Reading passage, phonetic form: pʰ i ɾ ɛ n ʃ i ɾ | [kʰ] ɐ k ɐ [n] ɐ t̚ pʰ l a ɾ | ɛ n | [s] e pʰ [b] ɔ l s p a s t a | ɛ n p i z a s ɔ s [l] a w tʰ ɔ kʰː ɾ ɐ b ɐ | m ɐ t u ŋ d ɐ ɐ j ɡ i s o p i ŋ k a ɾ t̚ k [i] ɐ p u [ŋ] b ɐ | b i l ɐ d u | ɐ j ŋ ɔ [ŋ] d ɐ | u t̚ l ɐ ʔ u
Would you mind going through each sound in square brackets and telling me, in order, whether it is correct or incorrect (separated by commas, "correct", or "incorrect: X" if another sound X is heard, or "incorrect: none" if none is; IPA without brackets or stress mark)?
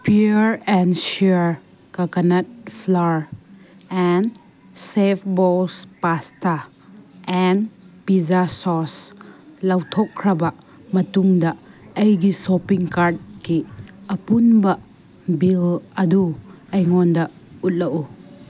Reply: incorrect: k, correct, correct, correct, correct, correct, incorrect: n, incorrect: n